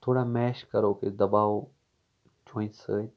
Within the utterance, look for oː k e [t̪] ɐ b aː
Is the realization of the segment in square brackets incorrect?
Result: yes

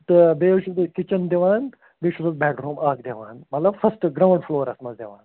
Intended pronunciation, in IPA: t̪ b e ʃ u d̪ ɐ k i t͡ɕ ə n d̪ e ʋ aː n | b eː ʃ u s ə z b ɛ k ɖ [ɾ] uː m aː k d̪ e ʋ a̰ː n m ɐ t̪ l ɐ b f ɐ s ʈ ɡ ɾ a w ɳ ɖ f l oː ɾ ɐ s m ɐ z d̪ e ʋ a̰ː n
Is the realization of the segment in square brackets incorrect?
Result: no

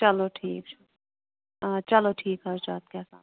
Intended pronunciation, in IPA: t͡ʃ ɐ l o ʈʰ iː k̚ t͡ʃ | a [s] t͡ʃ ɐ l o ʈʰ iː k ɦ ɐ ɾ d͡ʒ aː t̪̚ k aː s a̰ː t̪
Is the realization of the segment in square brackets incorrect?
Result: yes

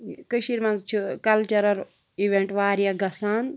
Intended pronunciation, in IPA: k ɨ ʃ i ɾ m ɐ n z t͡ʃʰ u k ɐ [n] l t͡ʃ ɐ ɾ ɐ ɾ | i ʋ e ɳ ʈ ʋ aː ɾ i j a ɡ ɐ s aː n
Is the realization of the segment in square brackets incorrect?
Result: yes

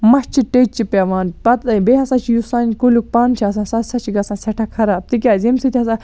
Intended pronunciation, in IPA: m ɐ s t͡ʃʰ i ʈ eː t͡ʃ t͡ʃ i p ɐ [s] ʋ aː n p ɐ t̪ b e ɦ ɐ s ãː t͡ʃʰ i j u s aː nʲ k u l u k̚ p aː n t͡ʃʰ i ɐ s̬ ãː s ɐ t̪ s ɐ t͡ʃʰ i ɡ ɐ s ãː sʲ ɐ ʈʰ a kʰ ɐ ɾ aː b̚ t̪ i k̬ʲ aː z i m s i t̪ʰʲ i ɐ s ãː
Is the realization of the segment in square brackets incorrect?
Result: yes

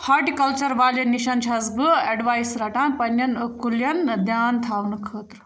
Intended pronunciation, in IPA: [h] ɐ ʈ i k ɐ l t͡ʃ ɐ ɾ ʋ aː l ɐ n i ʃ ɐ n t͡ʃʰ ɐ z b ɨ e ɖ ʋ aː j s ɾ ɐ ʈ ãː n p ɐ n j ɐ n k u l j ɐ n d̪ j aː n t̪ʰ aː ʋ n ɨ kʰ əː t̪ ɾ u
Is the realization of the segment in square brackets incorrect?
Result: no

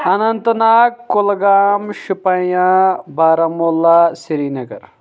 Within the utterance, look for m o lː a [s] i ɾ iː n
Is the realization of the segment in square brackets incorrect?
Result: no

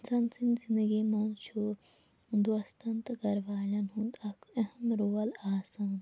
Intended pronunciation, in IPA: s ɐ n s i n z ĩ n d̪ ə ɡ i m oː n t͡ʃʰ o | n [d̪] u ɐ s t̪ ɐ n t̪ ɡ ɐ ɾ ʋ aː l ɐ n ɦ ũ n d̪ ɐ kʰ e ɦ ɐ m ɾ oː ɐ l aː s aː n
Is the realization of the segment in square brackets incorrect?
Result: no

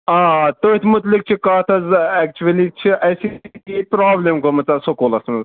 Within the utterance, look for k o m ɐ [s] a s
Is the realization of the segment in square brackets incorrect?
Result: yes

